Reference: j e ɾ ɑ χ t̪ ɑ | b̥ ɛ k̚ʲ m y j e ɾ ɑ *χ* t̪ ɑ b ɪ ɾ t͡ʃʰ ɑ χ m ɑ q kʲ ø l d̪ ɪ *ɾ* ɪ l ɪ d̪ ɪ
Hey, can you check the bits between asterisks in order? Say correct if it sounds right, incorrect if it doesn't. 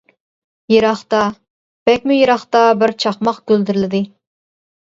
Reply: correct, correct

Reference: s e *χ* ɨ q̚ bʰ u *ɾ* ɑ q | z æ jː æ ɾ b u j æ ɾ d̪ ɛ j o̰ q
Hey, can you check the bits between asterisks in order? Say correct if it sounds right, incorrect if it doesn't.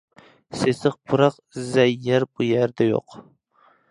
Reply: incorrect: s, correct

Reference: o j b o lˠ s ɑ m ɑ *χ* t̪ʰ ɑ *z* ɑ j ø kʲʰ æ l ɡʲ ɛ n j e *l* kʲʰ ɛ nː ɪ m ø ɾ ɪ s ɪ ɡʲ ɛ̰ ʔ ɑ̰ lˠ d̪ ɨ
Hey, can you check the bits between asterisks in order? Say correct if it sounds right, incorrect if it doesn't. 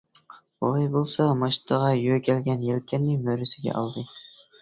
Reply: incorrect: ʃ, incorrect: ʁ, correct

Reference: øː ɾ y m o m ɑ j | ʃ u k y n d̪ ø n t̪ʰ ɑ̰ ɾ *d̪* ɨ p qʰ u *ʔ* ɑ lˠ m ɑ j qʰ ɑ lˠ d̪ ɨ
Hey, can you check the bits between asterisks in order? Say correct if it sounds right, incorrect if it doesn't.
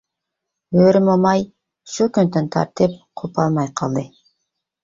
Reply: incorrect: t̪, incorrect: p

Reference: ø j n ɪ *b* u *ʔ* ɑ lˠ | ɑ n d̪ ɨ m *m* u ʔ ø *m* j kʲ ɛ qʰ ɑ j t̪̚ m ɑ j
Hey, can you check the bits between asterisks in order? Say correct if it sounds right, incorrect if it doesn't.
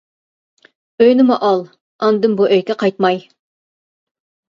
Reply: incorrect: m, correct, incorrect: b, incorrect: none

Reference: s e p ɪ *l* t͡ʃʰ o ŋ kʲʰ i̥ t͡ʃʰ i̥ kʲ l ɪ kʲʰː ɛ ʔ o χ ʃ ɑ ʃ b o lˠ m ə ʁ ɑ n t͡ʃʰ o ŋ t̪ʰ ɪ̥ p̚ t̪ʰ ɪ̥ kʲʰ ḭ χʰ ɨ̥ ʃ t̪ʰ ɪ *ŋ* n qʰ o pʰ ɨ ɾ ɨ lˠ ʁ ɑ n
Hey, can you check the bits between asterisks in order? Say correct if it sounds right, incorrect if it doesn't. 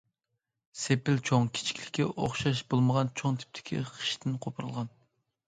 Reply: correct, incorrect: none

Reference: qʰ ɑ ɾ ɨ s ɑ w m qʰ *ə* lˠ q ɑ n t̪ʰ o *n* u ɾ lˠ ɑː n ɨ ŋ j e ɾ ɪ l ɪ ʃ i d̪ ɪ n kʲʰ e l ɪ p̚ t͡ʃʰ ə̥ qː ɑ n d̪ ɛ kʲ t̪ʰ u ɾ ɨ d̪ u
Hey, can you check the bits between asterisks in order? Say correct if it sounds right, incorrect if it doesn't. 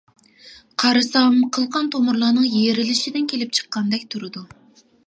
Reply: correct, incorrect: m

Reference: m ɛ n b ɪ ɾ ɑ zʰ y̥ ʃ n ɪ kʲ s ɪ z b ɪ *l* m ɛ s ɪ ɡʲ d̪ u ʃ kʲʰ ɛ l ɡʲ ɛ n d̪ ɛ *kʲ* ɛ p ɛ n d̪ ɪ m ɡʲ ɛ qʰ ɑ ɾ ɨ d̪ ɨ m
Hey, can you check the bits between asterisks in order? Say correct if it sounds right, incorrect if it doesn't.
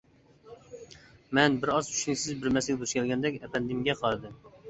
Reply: incorrect: ɾ, correct

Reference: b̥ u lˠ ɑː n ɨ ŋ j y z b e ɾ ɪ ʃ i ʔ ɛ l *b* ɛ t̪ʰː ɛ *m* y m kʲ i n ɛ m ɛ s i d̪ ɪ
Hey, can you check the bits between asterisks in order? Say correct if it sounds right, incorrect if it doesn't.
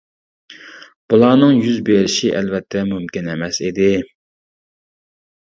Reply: incorrect: v, correct

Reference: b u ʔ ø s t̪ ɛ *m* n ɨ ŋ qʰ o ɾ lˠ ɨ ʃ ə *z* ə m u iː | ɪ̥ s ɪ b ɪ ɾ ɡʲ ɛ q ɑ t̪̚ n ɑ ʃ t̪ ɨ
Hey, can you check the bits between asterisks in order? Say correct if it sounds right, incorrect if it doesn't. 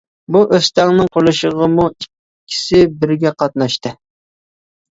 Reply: incorrect: ŋ, incorrect: ʁ

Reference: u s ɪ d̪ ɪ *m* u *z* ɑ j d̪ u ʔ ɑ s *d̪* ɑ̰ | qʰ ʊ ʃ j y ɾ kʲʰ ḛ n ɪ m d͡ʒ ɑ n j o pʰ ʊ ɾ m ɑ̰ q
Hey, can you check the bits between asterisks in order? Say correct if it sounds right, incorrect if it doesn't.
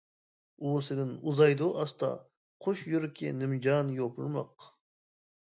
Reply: incorrect: n, correct, incorrect: t̪

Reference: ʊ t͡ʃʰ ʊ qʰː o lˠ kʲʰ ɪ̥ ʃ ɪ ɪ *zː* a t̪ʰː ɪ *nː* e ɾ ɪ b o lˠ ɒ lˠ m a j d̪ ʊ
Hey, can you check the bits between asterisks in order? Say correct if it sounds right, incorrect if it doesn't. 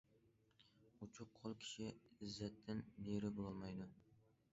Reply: correct, correct

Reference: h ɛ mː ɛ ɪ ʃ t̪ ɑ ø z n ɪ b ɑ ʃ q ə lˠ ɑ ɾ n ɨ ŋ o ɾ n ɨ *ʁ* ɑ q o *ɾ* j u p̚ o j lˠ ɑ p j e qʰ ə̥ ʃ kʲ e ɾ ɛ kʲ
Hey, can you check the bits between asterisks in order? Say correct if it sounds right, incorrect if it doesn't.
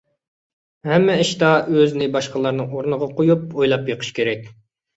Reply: correct, incorrect: none

